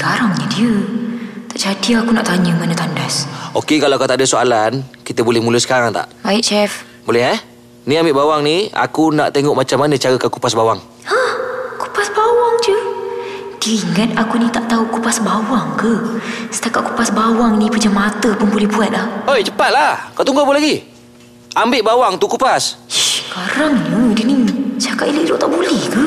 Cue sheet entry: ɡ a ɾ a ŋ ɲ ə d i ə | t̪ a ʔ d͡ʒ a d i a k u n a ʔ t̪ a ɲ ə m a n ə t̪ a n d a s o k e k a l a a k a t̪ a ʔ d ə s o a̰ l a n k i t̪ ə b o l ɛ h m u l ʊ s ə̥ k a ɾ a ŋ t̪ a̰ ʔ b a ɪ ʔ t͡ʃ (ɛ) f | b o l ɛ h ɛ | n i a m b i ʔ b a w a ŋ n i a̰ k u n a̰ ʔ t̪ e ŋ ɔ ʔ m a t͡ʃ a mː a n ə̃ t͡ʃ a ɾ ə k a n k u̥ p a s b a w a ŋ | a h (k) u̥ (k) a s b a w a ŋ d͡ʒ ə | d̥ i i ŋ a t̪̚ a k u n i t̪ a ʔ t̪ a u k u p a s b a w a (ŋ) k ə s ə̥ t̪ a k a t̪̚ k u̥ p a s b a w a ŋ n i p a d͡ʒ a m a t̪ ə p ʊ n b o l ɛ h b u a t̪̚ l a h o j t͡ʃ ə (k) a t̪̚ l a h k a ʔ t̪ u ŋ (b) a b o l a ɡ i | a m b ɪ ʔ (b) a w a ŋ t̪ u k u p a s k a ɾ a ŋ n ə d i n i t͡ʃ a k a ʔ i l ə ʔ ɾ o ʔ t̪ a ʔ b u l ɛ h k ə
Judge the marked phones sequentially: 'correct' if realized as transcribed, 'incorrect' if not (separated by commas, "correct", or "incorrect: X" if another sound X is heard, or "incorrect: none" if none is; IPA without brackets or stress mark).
correct, correct, incorrect: p, correct, incorrect: p, incorrect: ɡ, correct